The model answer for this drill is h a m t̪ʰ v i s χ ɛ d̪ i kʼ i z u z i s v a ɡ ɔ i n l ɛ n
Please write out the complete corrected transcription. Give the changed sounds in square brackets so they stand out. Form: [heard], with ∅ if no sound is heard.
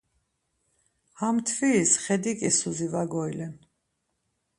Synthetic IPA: h a m t̪ʰ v i s χ ɛ d̪ i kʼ i [s] u z i [∅] v a ɡ ɔ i [∅] l ɛ n